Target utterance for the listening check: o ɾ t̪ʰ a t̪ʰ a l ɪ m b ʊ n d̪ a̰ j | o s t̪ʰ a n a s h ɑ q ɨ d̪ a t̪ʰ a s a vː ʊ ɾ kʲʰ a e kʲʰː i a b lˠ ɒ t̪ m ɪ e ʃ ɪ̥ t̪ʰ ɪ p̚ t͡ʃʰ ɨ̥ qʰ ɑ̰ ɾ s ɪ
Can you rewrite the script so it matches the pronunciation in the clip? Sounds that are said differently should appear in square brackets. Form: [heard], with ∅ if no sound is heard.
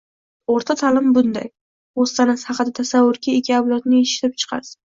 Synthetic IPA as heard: o ɾ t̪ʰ a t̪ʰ a l ɪ m b ʊ n d̪ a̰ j | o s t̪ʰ a n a s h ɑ q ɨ d̪ a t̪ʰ a s a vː ʊ ɾ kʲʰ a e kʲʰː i a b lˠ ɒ t̪ [n] ɪ e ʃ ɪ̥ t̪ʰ ɪ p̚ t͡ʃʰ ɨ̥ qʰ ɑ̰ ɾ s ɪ